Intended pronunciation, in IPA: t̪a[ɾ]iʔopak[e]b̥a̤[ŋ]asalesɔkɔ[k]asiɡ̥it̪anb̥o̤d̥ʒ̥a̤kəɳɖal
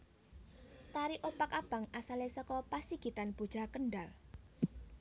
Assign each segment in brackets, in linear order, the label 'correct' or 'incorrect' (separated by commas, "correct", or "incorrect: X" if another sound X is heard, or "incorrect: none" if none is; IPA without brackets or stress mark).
correct, incorrect: a, correct, incorrect: p